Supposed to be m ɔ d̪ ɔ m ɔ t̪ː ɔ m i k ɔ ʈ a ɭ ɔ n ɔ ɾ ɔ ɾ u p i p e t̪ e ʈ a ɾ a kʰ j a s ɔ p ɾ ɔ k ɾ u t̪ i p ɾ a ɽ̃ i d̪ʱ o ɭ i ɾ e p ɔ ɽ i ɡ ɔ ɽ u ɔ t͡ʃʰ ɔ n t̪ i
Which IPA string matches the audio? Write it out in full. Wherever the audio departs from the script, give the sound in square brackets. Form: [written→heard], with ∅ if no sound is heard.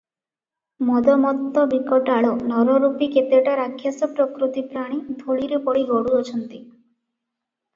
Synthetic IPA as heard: m ɔ d̪ ɔ m ɔ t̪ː ɔ [m→b] i k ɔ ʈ a ɭ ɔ n ɔ ɾ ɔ ɾ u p i [p→k] e t̪ e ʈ a ɾ a kʰ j a s ɔ p ɾ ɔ k ɾ u t̪ i p ɾ a ɽ̃ i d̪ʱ o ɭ i ɾ e p ɔ ɽ i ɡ ɔ ɽ u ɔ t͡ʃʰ ɔ n t̪ i